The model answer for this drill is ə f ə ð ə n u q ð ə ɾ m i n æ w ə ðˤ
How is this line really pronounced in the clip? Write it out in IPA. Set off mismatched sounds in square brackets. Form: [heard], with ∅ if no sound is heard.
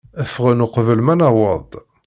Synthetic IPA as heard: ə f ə [ʁ] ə n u q [v] ə [l] m [æ] n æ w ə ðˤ